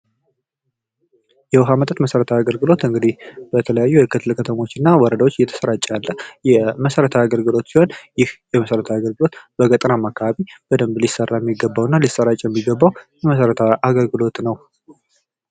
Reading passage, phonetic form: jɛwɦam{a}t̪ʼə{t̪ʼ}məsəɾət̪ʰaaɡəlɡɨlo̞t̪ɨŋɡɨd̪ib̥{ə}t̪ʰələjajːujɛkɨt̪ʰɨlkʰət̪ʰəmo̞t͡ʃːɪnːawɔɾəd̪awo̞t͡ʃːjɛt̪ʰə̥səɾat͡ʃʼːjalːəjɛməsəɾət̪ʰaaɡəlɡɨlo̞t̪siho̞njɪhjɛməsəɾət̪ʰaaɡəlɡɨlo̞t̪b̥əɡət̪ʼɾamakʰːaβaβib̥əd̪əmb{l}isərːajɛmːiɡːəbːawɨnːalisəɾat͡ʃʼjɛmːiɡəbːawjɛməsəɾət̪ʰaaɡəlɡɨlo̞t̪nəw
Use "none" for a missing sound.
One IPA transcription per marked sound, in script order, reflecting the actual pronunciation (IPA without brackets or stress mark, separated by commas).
ə, t̪, ə, l